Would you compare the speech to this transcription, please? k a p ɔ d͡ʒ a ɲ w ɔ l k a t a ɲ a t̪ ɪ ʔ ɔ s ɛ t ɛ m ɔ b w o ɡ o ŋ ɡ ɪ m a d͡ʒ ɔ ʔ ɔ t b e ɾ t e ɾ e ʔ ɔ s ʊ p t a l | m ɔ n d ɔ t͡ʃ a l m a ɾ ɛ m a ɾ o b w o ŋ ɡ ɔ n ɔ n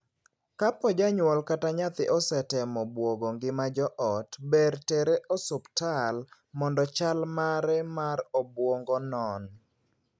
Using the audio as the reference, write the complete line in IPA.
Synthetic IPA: k a p ɔ d͡ʒ a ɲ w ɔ l k a t a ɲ a t̪ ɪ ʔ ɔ s ɛ t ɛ m ɔ b w o ɡ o ŋ ɡ ɪ m a d͡ʒ ɔ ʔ ɔ t b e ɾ t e ɾ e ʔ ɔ s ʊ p t a l | m ɔ n d ɔ t͡ʃ a l m a ɾ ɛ m a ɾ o b w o ŋ ɡ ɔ n ɔ n